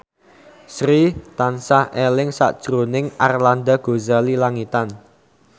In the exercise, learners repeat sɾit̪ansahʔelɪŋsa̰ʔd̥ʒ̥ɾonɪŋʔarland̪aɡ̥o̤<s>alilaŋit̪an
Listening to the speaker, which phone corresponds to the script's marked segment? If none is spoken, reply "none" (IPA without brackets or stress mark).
z